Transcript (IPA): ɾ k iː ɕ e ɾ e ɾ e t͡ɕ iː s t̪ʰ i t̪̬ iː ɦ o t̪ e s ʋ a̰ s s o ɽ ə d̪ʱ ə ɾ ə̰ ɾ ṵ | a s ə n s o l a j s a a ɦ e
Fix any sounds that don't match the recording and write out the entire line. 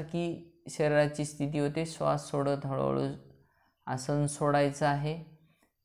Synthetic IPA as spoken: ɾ k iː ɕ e ɾ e ɾ a t͡ɕ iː s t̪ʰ i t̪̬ iː ɦ o t̪ e s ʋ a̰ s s o ɽ ə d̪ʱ ə ɭ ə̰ ɭ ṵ | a s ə n s o ɽ a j t͡s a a ɦ e